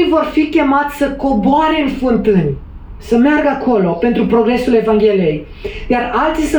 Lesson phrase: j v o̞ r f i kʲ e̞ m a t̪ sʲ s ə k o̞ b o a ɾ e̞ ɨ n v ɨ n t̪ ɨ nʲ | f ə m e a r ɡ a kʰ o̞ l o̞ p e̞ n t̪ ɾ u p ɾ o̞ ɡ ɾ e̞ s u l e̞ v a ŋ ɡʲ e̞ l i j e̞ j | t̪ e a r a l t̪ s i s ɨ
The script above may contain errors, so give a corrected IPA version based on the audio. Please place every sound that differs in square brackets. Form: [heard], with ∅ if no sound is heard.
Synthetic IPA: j v o̞ r f i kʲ e̞ m a t̪ sʲ s ə k o̞ b o a ɾ e̞ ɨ n [f] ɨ n t̪ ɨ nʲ | [s] ə m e a r ɡ a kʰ o̞ l o̞ p e̞ n t̪ ɾ u p ɾ o̞ ɡ ɾ e̞ s u l e̞ v a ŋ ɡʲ e̞ l i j e̞ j | [d̪] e a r a l t̪ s i s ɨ